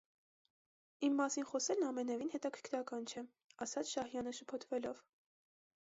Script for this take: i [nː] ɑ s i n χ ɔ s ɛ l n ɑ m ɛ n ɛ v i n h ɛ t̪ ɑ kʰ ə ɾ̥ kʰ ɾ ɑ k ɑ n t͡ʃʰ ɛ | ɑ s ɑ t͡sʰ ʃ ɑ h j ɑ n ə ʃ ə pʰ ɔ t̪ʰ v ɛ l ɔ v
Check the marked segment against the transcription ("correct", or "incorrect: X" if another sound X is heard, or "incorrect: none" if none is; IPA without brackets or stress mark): incorrect: mː